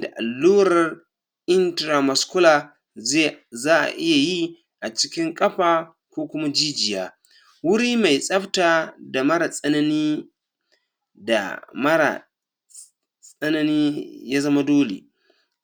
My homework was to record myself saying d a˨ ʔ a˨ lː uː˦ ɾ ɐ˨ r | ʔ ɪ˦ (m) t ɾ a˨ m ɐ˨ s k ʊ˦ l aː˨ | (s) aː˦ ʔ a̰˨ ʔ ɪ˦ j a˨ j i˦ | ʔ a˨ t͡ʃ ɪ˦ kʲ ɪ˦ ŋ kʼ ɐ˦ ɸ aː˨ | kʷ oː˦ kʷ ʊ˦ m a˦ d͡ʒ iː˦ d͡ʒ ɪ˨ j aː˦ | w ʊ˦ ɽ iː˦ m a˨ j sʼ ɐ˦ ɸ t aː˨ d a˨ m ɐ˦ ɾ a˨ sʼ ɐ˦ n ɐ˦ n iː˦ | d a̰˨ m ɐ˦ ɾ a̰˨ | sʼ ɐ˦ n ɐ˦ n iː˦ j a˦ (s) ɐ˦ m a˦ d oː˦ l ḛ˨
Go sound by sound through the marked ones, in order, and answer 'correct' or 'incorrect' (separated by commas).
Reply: incorrect, incorrect, incorrect